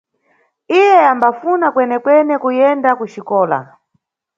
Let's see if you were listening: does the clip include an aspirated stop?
no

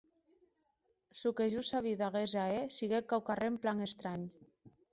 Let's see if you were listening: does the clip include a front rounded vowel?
no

